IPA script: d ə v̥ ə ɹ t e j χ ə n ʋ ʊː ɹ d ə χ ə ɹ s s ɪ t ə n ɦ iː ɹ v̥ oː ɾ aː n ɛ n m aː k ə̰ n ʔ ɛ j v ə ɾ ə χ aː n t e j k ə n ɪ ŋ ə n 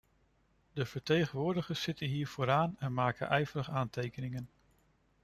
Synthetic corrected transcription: d ə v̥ ə ɹ t e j χ ə n ʋ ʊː ɹ d ə χ ə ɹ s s ɪ t ə n ɦ iː ɹ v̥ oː ɾ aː n ɛ n m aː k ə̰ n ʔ ɛ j v ə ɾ ə χ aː n t e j k ə n ɪ ŋ ə n